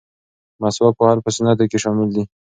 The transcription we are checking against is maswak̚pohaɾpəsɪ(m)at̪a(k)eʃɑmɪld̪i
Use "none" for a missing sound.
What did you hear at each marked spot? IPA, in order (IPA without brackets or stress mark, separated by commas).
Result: n, k